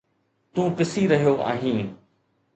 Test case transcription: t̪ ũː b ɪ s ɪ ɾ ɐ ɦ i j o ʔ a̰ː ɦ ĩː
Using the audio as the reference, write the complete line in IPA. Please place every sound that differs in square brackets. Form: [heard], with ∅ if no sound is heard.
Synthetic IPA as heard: t̪ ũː [p] ɪ s [i] ɾ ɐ ɦ i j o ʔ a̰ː ɦ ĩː